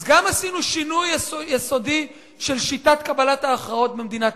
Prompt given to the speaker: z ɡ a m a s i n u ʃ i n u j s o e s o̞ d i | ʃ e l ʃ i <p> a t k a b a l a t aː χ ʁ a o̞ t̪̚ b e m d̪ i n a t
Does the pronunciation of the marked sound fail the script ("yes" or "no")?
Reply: yes